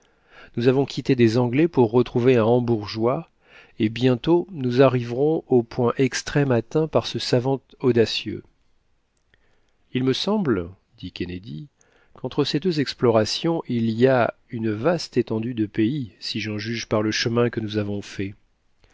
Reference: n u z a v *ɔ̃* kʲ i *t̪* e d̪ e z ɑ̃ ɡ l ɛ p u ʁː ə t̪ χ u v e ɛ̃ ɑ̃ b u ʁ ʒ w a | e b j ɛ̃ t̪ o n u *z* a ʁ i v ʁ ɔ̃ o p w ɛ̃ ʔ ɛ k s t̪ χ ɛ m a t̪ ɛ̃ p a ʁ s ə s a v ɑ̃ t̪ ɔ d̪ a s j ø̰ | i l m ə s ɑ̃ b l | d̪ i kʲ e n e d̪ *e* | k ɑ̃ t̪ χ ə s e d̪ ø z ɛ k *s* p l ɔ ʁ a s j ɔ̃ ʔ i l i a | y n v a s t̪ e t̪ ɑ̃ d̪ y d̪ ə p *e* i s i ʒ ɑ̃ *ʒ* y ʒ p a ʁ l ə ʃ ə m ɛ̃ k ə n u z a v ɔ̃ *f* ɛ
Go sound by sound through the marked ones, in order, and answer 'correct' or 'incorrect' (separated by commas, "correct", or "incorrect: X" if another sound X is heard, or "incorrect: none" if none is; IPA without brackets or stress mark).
correct, correct, correct, incorrect: i, correct, correct, correct, correct